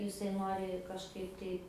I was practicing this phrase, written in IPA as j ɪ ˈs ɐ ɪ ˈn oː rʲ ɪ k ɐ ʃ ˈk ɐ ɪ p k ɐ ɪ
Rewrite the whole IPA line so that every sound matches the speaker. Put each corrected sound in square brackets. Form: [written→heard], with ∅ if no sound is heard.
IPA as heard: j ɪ ˈs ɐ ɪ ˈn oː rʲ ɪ k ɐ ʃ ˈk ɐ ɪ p [k→t] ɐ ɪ